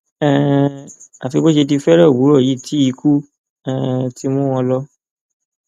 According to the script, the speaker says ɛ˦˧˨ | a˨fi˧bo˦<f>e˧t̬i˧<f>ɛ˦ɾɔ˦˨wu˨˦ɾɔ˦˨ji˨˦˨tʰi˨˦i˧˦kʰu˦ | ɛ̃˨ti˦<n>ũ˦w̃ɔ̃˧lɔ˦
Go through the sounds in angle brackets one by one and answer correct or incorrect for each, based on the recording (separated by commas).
incorrect, correct, incorrect